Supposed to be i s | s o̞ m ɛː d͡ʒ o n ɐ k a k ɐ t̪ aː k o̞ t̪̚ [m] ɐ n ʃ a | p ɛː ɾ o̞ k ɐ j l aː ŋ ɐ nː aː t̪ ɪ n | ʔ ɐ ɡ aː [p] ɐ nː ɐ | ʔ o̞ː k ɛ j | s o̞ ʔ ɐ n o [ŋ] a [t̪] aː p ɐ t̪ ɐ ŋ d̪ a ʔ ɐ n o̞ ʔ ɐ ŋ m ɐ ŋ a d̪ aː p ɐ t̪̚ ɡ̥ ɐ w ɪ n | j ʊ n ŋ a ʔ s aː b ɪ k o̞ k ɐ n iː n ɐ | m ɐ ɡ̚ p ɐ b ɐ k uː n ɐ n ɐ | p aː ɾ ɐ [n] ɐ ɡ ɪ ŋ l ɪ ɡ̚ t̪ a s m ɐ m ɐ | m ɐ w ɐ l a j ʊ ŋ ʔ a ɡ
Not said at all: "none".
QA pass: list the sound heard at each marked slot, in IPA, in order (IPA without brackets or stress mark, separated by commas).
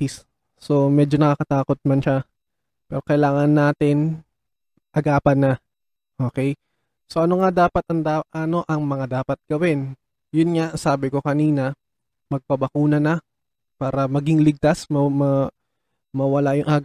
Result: m, p, ŋ, d̪, m